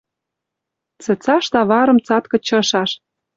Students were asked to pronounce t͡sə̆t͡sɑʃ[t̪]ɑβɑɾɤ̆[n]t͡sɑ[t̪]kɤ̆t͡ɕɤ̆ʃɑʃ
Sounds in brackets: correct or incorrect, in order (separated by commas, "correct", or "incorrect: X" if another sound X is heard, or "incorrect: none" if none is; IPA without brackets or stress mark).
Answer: correct, incorrect: m, correct